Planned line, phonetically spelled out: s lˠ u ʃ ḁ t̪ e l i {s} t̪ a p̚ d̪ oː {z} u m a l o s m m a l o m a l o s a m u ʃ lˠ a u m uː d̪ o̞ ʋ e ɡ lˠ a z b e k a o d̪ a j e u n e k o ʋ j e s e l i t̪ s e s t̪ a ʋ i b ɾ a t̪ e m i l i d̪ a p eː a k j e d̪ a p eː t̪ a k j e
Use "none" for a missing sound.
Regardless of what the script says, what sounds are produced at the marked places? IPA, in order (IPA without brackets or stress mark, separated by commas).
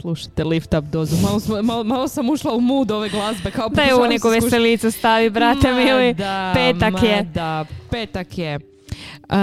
f, z